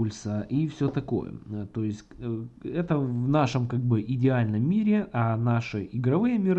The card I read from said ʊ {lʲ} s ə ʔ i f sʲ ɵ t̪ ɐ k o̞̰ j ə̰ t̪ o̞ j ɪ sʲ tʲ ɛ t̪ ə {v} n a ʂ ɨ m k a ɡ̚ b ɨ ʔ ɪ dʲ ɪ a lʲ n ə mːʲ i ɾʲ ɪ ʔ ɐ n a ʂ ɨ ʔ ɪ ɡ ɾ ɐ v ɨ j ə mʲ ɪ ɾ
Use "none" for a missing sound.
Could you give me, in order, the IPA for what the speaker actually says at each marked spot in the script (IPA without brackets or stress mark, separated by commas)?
lʲ, v